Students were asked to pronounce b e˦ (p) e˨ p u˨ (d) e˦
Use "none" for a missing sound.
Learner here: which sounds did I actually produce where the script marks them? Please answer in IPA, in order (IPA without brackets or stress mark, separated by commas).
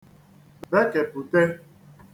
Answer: k, t